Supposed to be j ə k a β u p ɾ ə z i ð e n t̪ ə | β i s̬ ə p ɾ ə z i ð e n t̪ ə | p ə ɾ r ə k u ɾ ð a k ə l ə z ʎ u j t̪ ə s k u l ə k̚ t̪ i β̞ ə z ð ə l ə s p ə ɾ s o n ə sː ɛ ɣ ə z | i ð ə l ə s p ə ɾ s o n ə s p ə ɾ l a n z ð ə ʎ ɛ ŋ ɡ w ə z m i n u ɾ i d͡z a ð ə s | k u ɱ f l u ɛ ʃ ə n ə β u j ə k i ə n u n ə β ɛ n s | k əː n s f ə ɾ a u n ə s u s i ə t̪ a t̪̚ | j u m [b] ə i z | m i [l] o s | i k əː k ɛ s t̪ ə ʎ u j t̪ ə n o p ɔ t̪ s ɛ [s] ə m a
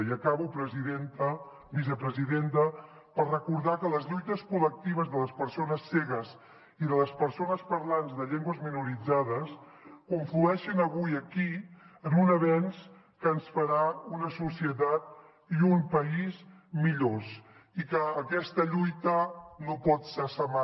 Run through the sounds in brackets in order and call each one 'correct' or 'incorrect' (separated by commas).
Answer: incorrect, incorrect, correct